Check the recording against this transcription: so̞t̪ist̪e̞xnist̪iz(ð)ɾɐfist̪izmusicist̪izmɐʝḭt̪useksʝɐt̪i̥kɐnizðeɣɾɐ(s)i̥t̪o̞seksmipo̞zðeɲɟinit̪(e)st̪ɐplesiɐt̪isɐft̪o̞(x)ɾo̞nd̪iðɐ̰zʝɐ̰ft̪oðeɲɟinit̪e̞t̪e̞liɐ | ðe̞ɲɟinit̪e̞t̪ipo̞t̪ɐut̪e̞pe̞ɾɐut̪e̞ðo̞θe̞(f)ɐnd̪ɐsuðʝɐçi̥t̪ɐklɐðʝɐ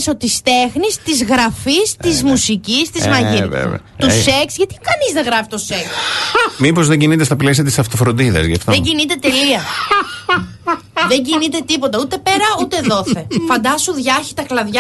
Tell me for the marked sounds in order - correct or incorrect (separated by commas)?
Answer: incorrect, incorrect, correct, incorrect, correct